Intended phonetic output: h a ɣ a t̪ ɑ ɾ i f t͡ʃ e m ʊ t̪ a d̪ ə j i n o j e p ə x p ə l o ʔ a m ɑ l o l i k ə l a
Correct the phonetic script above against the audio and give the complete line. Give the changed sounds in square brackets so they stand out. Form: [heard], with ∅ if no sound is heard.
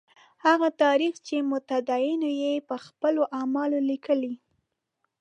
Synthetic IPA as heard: h a ɣ a t̪ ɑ ɾ i [x] t͡ʃ e m ʊ t̪ a d̪ [ɑ] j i n o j e p ə x p ə l o ʔ a m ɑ l o l i k ə l [i]